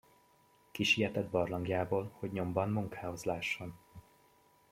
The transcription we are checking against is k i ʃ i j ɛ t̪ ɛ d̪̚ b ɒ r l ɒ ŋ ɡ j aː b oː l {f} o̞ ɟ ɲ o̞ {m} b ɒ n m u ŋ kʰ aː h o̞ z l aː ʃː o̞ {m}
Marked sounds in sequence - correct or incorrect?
incorrect: h, correct, incorrect: n

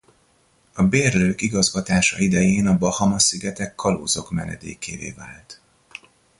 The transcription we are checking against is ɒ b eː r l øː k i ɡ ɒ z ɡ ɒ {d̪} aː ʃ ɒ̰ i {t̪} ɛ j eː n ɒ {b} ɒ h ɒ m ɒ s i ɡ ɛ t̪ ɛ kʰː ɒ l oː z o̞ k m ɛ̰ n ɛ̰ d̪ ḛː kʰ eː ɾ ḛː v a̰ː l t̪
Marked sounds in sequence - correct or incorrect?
incorrect: t̪, incorrect: d̪, correct

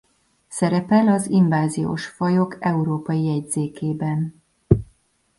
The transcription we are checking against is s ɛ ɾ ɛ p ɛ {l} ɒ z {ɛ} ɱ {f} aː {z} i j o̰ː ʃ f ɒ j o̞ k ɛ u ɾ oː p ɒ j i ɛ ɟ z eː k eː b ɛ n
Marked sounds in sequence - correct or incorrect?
correct, incorrect: i, incorrect: v, correct

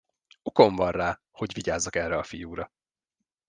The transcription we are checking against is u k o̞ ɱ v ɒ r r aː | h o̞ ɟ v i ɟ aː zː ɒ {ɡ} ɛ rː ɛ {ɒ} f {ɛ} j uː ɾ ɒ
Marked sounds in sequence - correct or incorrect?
incorrect: k, correct, incorrect: i

